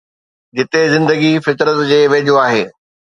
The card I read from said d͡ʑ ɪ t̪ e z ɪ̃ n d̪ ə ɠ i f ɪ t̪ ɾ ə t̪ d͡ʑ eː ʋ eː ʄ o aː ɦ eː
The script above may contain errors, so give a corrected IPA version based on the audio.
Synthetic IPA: d͡ʑ ɪ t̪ e z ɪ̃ n d̪ ə ɡ i f ɪ t̪ ɾ ə t̪ d͡ʑ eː ʋ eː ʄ o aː ɦ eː